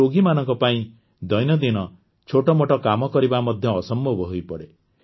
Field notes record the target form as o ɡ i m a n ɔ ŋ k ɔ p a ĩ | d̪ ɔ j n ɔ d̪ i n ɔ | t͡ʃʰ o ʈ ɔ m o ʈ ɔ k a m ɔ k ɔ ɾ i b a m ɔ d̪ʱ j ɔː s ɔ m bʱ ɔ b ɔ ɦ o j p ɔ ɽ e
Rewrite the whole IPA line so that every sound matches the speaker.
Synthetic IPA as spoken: o ɡ i m a n ɔ ŋ k ɔ p a ĩ | d̪ ɔ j n ɔ d̪ i n ɔ | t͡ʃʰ o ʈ ɔ m o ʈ ɔ k a m ɔ k ɔ ɾ i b a m ɔ d̪ʱ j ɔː s ɔ m bʱ ɔ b ɔ ɦ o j p ɔ ɽ e